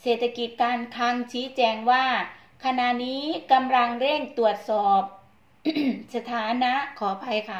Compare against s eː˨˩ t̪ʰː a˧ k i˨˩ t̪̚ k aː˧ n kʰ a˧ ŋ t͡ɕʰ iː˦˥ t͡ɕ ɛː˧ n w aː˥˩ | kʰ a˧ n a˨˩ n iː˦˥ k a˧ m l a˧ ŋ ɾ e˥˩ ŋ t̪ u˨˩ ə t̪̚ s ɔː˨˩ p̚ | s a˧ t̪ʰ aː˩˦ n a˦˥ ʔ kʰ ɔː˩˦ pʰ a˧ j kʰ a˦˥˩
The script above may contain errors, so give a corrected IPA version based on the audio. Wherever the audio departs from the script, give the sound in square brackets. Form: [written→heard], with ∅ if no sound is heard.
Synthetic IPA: s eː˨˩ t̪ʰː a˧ k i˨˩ t̪̚ k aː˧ n kʰ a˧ ŋ t͡ɕʰ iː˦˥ t͡ɕ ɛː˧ [n→ŋ] w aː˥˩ | kʰ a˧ n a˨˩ n iː˦˥ k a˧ m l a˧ ŋ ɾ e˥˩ ŋ t̪ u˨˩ ə t̪̚ s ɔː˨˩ p̚ | s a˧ t̪ʰ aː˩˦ n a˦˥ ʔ kʰ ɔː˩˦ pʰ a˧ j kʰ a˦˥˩